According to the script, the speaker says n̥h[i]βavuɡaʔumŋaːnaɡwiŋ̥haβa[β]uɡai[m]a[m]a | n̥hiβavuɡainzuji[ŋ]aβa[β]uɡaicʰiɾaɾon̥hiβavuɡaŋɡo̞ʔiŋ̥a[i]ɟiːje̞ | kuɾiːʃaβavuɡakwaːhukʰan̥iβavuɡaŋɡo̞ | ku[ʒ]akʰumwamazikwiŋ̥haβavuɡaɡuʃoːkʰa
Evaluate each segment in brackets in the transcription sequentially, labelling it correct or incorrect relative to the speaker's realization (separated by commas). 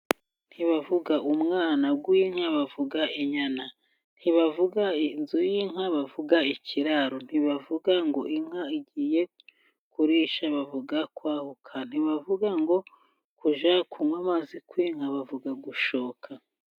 correct, incorrect, incorrect, incorrect, correct, incorrect, correct, correct